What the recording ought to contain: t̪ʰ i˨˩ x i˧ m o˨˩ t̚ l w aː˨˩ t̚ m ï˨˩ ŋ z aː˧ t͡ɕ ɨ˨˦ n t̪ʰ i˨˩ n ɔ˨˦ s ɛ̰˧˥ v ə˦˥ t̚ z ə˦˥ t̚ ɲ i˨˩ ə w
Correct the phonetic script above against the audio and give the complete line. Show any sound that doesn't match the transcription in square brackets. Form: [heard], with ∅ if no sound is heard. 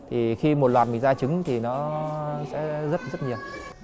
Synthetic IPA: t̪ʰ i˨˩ x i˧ m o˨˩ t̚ l w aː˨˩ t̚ m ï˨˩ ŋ z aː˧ t͡ɕ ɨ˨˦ [ŋ] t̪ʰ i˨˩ n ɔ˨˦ s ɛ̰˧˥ [z] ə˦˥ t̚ z ə˦˥ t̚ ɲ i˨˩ ə w

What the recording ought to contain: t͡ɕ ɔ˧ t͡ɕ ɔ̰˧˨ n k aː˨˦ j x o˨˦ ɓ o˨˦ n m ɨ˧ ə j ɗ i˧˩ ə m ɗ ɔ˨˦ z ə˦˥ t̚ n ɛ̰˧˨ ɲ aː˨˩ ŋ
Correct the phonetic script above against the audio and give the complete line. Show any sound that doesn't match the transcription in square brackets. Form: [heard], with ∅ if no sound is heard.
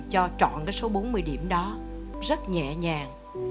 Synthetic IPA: t͡ɕ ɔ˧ t͡ɕ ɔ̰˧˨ n k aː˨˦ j [s] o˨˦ ɓ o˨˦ n m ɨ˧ ə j ɗ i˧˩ ə m ɗ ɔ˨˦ z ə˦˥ t̚ [ɲ] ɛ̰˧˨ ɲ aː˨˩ ŋ

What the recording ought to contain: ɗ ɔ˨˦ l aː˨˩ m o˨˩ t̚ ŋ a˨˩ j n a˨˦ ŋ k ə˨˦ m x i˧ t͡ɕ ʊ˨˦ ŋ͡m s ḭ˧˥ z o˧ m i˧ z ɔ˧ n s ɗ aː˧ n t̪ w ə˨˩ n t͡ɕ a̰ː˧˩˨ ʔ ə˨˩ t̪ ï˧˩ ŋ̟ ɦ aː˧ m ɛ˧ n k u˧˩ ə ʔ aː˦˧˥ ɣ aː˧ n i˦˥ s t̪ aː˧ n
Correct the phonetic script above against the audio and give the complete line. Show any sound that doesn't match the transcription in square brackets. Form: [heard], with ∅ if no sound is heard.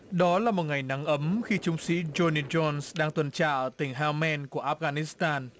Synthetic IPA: ɗ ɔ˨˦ l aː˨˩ m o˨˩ t̚ ŋ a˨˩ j n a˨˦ ŋ [ʔ] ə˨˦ m x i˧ t͡ɕ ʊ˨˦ ŋ͡m s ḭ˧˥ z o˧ [n] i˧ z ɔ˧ n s ɗ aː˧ [ŋ] t̪ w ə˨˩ n t͡ɕ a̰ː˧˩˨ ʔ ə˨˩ t̪ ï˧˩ ŋ̟ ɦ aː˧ m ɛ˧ n k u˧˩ ə ʔ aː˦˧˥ ɣ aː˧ n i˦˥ s t̪ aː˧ n

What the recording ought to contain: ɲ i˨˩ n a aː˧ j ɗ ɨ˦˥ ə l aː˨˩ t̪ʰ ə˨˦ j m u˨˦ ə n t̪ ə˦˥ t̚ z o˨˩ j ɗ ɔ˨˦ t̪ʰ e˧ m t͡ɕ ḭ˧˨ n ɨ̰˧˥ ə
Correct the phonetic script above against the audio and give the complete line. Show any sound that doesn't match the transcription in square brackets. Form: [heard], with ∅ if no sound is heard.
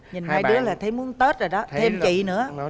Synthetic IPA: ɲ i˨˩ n a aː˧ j ɗ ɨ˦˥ ə l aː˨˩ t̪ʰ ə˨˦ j m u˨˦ ə n t̪ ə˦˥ t̚ z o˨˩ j ɗ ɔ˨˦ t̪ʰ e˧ m t͡ɕ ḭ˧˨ n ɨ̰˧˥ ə

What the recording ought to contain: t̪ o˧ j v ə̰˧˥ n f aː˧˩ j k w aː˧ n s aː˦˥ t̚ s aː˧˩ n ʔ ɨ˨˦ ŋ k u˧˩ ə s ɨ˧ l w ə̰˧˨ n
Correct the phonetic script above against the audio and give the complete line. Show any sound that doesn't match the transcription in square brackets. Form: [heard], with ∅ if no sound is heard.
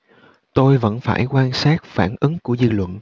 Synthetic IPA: t̪ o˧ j v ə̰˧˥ n f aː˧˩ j k w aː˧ n s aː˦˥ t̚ [f] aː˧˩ n ʔ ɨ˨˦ ŋ k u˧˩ ə [z] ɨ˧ l w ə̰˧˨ n

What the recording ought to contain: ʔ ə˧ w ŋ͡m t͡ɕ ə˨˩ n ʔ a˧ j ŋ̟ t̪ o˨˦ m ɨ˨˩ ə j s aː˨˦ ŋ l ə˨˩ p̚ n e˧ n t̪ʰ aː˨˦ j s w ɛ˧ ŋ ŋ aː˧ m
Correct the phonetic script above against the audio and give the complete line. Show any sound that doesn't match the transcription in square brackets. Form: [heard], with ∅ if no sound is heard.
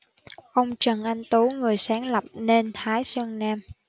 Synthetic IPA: ʔ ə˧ w ŋ͡m t͡ɕ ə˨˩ n ʔ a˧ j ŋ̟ t̪ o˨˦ [ŋ] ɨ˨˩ ə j s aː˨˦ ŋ l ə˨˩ p̚ n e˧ n t̪ʰ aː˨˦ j s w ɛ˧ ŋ [n] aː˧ m

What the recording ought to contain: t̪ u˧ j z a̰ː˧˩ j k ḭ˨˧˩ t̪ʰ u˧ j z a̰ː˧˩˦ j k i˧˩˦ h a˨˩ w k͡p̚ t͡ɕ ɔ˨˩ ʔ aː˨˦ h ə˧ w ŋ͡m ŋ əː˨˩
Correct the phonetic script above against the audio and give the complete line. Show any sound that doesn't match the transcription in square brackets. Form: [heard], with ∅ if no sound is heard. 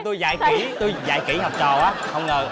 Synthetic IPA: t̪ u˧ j z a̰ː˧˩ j k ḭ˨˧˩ [t̪] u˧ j z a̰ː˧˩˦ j k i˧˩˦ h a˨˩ w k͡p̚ t͡ɕ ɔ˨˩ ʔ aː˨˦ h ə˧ w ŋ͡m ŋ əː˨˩

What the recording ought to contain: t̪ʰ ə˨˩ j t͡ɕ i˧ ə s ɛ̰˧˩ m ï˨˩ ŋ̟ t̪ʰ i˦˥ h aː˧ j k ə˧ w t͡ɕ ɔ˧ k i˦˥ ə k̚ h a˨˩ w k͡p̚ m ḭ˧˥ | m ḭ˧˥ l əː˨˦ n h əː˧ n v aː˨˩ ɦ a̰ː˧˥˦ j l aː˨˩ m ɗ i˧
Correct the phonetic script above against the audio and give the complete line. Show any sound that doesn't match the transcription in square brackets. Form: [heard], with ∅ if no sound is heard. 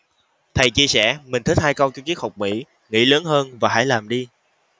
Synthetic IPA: t̪ʰ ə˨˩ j t͡ɕ i˧ ə s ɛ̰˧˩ m ï˨˩ ŋ̟ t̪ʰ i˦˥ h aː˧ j k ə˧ w t͡ɕ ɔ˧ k i˦˥ ə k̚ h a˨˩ w k͡p̚ m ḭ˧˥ | [ŋ] ḭ˧˥ l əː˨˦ n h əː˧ n v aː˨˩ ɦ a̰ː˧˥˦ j l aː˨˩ m ɗ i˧

